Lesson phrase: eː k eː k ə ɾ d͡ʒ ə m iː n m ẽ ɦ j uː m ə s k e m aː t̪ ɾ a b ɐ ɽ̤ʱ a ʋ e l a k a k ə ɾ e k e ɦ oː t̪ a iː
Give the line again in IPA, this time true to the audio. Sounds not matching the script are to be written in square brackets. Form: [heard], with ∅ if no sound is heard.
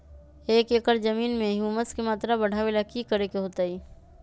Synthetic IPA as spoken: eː k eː k ə ɾ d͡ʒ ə m iː n m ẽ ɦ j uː m ə s k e m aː t̪ ɾ a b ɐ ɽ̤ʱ a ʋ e l a k [i] k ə ɾ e k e ɦ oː t̪ a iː

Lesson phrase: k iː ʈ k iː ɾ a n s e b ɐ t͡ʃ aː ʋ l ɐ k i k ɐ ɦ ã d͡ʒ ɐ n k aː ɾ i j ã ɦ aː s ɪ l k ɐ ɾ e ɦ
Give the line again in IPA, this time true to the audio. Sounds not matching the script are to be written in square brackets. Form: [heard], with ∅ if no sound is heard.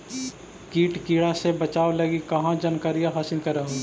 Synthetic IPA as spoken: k iː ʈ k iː [ɽ] a [∅] s e b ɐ t͡ʃ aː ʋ l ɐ [ɡ] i k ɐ ɦ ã d͡ʒ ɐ n k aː ɾ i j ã ɦ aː s ɪ l k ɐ ɾ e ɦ

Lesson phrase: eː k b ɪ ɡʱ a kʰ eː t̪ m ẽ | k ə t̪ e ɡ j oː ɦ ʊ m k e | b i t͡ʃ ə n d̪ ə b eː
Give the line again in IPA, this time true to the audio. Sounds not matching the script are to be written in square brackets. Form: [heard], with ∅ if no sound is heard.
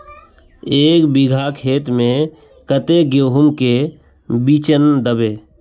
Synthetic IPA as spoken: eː k b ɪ ɡʱ a kʰ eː t̪ m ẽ | k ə t̪ e ɡ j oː ɦ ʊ m k e | b i t͡ʃ ə n d̪ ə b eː

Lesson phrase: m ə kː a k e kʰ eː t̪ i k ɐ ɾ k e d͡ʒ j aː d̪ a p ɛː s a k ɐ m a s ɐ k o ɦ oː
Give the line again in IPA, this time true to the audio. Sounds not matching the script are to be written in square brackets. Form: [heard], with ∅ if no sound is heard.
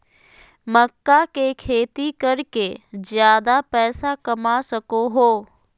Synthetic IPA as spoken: m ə kː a k e kʰ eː t̪ i k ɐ ɾ k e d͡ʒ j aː d̪ a p ɛː s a k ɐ m a s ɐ k o ɦ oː

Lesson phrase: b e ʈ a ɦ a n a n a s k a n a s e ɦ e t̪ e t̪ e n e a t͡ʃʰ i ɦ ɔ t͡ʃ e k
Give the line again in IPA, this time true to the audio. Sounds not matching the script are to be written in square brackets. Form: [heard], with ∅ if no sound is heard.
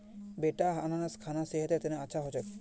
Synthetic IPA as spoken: b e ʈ a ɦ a n a n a s [kʰ] a n a s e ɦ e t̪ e t̪ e n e a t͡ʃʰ [a] ɦ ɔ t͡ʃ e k

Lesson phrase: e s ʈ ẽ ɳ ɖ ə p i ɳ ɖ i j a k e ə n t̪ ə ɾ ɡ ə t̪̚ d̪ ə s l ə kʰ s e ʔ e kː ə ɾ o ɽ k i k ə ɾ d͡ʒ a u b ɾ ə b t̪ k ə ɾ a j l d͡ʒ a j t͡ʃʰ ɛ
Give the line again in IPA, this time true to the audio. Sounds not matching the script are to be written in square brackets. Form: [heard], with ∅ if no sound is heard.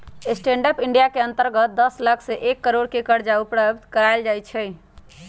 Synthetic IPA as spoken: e s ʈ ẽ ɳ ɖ ə p i ɳ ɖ i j a k e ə n t̪ ə ɾ ɡ ə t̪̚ d̪ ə s l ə kʰ s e ʔ e kː ə ɾ o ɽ k [e] k ə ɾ d͡ʒ a u [p] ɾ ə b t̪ k ə ɾ a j l d͡ʒ a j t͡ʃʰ ɛ

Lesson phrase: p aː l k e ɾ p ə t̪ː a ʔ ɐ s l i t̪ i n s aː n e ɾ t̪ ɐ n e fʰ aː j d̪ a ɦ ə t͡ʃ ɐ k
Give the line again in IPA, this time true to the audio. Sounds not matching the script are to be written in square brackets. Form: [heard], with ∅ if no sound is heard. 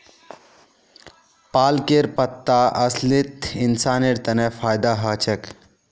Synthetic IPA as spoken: p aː l k e ɾ p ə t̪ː a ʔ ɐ s l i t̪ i n s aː n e ɾ t̪ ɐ n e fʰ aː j d̪ a ɦ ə t͡ʃ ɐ k

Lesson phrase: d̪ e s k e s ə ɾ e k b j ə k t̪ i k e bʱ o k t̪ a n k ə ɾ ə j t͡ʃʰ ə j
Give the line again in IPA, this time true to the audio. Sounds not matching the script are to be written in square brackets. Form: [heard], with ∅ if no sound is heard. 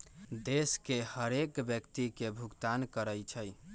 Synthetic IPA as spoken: d̪ e s k e [h] ə ɾ e k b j ə k t̪ i k e bʱ [u] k t̪ a n k ə ɾ ə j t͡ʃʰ ə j

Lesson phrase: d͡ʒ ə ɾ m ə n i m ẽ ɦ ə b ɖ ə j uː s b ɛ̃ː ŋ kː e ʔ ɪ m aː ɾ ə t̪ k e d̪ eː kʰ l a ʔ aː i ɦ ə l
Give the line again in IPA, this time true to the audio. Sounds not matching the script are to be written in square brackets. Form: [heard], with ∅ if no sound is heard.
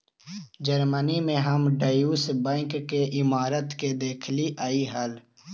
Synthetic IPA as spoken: d͡ʒ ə ɾ m ə n i m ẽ ɦ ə [m] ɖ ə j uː s b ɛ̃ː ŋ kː e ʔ ɪ m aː ɾ ə t̪ k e d̪ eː kʰ l [i] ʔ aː i ɦ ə l

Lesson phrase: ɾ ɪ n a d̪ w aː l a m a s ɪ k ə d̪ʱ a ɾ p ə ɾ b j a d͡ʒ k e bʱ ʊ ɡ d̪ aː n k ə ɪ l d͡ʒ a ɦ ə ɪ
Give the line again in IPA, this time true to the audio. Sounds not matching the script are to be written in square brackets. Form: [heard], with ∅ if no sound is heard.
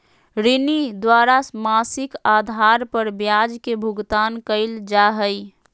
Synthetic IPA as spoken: ɾ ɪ n [i] d̪ w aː [ɾ] a m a s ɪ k [a] d̪ʱ a ɾ p ə ɾ b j a d͡ʒ k e bʱ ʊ ɡ [t̪] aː n k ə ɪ l d͡ʒ a ɦ ə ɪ

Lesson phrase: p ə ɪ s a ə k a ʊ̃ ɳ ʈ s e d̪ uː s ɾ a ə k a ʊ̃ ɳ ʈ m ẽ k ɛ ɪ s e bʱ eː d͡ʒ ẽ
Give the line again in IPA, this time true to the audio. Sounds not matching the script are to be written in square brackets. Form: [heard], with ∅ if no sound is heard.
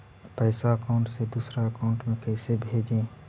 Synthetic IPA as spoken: p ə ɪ s a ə k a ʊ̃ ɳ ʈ s e d̪ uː s ɾ a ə k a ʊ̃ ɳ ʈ m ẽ k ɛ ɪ s e bʱ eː d͡ʒ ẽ

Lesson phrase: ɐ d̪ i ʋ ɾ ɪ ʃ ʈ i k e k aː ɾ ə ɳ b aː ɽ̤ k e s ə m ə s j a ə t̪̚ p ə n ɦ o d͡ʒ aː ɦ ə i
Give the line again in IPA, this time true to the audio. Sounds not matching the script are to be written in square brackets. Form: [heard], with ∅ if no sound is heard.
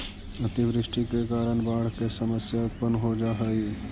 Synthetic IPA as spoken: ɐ [t̪] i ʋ ɾ ɪ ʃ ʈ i k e k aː ɾ ə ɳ b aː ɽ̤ k e s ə m ə s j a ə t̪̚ p ə n ɦ o d͡ʒ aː ɦ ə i

